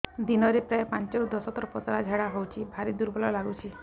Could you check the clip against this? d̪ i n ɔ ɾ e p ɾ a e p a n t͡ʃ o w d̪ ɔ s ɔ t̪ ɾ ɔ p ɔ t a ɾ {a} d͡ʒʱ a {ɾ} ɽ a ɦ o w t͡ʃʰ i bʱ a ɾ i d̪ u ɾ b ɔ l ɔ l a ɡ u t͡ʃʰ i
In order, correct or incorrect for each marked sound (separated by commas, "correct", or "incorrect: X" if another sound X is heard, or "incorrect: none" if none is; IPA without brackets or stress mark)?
correct, incorrect: none